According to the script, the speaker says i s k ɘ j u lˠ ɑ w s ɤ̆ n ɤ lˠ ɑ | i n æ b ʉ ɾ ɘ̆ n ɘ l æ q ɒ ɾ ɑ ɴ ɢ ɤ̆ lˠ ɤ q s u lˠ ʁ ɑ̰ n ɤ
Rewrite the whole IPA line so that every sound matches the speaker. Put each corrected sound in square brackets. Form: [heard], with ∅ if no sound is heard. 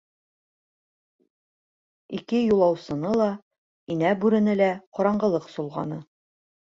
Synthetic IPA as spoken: i [∅] k ɘ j u lˠ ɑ w s ɤ̆ n ɤ lˠ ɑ | i n æ b ʉ ɾ ɘ̆ n ɘ l æ q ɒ ɾ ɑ ɴ ɢ ɤ̆ lˠ ɤ q s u lˠ ʁ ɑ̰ n ɤ

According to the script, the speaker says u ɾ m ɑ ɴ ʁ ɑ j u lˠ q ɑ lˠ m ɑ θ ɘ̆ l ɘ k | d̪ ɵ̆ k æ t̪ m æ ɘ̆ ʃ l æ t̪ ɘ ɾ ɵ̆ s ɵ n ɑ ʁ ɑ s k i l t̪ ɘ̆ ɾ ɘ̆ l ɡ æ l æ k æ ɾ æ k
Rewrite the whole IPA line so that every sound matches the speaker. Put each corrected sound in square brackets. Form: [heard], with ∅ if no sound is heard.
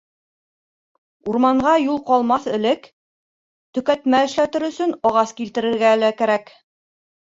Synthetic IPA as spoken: u ɾ m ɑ ɴ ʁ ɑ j u lˠ q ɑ lˠ m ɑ θ ɘ̆ l ɘ k | [t̪] ɵ̆ k æ t̪ m æ ɘ̆ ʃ l æ t̪ ɘ ɾ ɵ̆ s ɵ n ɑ ʁ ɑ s k i l t̪ ɘ̆ ɾ ɘ̆ [ɾ] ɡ æ l æ k æ ɾ æ k

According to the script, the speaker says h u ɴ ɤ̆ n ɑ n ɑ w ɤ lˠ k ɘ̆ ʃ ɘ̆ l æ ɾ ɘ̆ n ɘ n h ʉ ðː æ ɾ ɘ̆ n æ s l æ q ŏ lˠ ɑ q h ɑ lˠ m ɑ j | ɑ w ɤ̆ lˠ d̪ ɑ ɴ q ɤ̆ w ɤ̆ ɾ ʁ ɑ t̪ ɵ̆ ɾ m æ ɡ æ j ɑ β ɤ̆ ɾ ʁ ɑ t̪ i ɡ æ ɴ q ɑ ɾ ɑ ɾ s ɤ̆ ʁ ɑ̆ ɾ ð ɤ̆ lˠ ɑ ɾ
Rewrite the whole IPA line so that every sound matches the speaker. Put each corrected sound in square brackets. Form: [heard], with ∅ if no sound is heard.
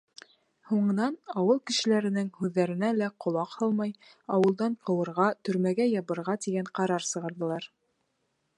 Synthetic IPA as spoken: h u ɴ ɤ̆ n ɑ n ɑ w ɤ lˠ k ɘ̆ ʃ ɘ̆ l æ ɾ ɘ̆ n ɘ [ŋ] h ʉ ðː æ ɾ ɘ̆ n æ [∅] l æ q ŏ lˠ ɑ q h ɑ lˠ m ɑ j | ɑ w ɤ̆ lˠ d̪ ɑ ɴ q ɤ̆ w ɤ̆ ɾ ʁ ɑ t̪ ɵ̆ ɾ m æ ɡ æ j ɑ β ɤ̆ ɾ ʁ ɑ t̪ i ɡ æ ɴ q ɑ ɾ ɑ ɾ s ɤ̆ ʁ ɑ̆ ɾ ð ɤ̆ lˠ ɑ ɾ

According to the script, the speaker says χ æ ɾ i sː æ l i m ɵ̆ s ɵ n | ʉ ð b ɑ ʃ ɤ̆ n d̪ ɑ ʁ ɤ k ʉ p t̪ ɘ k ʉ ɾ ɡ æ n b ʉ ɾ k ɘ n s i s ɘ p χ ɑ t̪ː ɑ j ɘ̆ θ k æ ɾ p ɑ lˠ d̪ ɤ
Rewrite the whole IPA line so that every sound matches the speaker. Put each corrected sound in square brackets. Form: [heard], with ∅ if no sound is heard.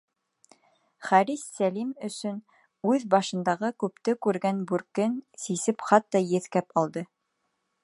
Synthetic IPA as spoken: χ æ ɾ i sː æ l i m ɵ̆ s ɵ n | ʉ ð b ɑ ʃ ɤ̆ n d̪ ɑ ʁ ɤ k ʉ p t̪ ɘ k ʉ ɾ ɡ æ n b ʉ ɾ k ɘ n s i s ɘ p χ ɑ t̪ː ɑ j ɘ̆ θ k æ [∅] p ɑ lˠ d̪ ɤ

